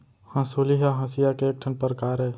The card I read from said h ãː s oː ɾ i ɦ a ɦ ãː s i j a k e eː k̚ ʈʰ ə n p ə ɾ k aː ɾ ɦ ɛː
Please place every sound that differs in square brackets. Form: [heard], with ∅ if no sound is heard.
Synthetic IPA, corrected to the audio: h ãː s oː [l] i ɦ a ɦ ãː s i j a k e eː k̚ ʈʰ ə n p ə ɾ k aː ɾ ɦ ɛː